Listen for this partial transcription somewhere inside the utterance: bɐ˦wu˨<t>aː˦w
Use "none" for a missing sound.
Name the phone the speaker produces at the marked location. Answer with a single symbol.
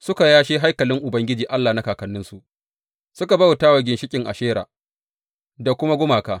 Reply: t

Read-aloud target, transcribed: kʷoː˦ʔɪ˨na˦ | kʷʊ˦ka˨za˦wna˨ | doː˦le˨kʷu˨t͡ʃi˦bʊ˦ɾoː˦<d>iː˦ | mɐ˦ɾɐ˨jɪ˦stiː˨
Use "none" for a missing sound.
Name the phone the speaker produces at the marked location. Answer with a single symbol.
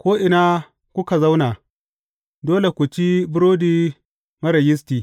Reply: d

